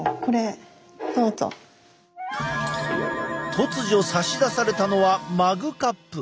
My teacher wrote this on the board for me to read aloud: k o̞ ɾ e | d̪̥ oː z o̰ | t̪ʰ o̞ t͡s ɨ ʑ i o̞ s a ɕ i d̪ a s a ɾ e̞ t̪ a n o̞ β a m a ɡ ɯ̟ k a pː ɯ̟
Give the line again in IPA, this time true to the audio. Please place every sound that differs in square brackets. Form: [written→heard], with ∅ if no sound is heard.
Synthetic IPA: k o̞ ɾ e | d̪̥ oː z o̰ | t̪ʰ o̞ t͡s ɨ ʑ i o̞ s a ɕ i d̪ a s a ɾ e̞ t̪ a n o̞ β a m a ɡ ɯ̟ k a pː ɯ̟